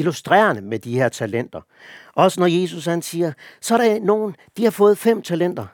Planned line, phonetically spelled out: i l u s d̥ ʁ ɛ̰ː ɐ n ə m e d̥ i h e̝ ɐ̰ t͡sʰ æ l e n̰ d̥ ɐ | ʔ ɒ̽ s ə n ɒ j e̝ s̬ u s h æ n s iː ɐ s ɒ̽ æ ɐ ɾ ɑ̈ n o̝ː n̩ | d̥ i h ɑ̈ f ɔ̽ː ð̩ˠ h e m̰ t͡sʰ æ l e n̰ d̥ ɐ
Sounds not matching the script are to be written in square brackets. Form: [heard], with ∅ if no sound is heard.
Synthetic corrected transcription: i l u s d̥ ʁ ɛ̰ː ɐ n ə m e d̥ i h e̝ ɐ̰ t͡sʰ æ l e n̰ d̥ ɐ | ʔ ɒ̽ s ə n ɒ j e̝ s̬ u s h æ n s iː ɐ s ɒ̽ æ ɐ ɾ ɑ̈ n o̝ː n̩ | d̥ i h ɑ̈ f ɔ̽ː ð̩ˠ [f] e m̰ t͡sʰ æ l e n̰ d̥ ɐ